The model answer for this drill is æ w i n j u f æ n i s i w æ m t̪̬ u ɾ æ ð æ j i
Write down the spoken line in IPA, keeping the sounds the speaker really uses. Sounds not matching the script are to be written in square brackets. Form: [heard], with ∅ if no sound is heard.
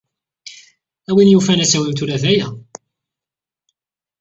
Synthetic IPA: æ w i n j u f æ n [æ] s [æ] w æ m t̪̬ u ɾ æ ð æ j [æ]